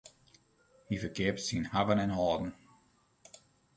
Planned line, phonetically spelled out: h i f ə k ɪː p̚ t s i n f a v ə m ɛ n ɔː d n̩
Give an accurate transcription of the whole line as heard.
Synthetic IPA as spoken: h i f ə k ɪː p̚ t s i n h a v ə n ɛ n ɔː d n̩